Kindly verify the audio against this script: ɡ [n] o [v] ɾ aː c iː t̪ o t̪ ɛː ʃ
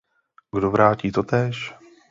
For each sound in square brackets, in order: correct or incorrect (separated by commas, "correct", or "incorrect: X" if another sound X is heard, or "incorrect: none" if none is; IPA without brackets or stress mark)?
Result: incorrect: d, correct